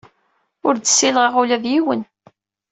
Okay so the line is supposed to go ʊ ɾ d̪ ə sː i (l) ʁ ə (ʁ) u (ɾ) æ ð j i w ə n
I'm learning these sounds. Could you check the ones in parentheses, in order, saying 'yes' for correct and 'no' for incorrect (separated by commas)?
yes, yes, no